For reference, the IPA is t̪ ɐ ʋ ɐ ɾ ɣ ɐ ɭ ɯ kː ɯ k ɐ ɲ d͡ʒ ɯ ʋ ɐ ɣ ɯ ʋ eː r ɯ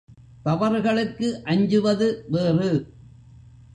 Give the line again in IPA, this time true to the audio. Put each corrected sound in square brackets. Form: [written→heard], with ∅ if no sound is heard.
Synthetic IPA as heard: t̪ ɐ ʋ ɐ ɾ ɣ ɐ ɭ ɯ kː ɯ [k→ʔ] ɐ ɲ d͡ʒ ɯ ʋ ɐ [ɣ→ð] ɯ ʋ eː r ɯ